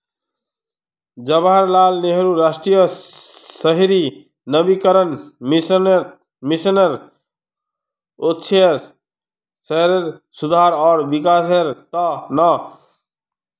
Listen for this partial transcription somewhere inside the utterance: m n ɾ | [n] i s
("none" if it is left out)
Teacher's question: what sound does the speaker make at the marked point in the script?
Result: m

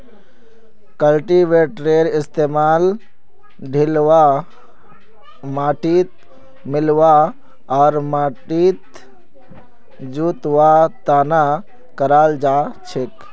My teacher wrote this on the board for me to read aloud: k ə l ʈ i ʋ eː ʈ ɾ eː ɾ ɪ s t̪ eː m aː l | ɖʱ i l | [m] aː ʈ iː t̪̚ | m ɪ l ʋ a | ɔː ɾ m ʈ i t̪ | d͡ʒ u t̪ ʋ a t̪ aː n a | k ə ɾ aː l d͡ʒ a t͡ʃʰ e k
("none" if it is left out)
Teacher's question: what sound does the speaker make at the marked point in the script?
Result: m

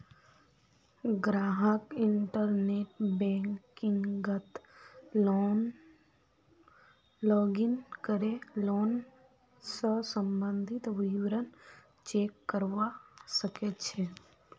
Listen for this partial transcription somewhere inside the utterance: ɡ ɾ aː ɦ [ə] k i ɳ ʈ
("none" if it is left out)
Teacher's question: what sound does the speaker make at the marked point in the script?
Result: ə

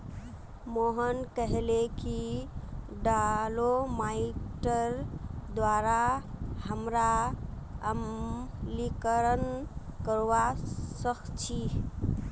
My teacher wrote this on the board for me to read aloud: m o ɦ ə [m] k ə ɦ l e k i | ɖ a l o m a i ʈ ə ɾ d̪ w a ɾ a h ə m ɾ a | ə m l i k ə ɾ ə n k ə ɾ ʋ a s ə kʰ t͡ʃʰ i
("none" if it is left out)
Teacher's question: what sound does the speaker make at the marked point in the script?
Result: n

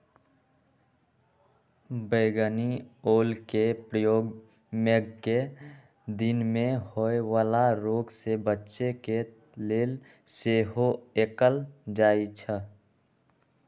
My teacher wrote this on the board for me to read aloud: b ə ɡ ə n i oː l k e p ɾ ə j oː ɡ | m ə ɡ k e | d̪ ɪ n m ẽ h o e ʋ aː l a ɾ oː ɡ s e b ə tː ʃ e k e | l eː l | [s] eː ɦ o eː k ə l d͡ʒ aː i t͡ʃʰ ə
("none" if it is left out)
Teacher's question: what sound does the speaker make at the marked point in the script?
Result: s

